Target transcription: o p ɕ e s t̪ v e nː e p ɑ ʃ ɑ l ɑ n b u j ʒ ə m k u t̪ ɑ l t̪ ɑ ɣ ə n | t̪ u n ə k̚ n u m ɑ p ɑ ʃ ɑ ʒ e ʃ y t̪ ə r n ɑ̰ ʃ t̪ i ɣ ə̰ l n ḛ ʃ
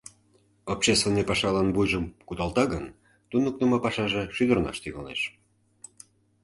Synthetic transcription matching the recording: o p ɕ e s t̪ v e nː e p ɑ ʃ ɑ l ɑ n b u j ʒ ə m k u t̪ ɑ l t̪ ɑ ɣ ə n | t̪ u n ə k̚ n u m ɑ p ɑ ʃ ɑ ʒ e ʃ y d̪ ə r n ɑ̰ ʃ t̪ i ɣ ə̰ l n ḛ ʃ

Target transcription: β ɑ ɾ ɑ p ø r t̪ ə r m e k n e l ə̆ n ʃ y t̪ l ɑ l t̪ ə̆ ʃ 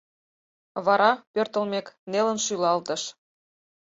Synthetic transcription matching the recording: β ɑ ɾ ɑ p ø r t̪ ə l m e k n e l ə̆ n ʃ y l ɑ l t̪ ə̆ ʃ

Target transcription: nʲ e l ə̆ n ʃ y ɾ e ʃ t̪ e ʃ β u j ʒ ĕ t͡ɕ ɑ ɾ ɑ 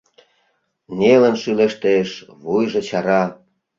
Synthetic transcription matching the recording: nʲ e l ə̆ n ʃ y l e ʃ t̪ e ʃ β u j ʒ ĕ t͡ɕ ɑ ɾ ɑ

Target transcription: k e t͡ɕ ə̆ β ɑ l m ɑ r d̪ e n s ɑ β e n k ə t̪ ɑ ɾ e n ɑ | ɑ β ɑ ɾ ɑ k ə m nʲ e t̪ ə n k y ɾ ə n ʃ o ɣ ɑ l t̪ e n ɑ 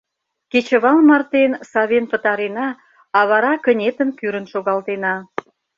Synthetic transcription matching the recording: k e t͡ɕ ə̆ β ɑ l m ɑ r t̪ e n s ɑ β e n p ə t̪ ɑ ɾ e n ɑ | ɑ β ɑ ɾ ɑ k ə nʲ e t̪ ə n k y ɾ ə n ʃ o ɣ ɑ l t̪ e n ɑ

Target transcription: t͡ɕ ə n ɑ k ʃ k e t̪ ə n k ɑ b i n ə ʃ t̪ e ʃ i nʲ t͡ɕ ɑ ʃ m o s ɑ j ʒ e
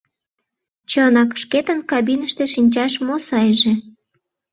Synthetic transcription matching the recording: t͡ɕ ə n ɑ k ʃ k e t̪ ə n k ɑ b i n ə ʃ t̪ e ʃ i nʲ t͡ɕ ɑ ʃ m o s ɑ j ʒ e

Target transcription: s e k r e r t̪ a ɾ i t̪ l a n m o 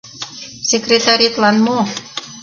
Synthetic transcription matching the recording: s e k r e t̪ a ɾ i t̪ l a n m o

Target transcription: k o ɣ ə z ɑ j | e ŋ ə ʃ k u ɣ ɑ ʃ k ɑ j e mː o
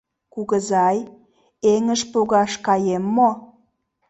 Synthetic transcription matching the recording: k u ɣ ə z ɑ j | e ŋ ə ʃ p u ɣ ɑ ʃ k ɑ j e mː o

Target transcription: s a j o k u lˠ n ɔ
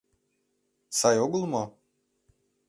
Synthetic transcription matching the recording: s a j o ɡ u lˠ m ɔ

